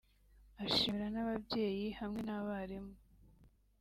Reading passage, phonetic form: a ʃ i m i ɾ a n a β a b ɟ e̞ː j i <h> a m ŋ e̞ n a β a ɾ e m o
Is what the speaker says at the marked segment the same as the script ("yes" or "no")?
yes